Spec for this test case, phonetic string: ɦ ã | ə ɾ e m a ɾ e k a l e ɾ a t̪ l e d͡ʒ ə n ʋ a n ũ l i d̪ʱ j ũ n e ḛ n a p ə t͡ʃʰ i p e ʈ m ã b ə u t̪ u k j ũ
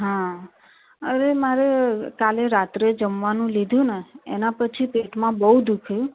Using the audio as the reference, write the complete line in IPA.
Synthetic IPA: ɦ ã | ə ɾ e m a ɾ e k a l e ɾ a t̪ ɾ e d͡ʒ ə m ʋ a n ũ l i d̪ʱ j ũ n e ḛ n a p ə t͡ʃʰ i p e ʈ m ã b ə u d̪ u kʰ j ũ